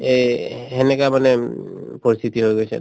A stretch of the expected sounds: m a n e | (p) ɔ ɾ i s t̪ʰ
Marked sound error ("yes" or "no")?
no